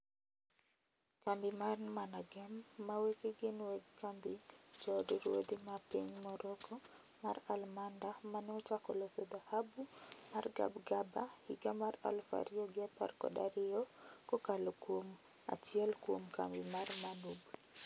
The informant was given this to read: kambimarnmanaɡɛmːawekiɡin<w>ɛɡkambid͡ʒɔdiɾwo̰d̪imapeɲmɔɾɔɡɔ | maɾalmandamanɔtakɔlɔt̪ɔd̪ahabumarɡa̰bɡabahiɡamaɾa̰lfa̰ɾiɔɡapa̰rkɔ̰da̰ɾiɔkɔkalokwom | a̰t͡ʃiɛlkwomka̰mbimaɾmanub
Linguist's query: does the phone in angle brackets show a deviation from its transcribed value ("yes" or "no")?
no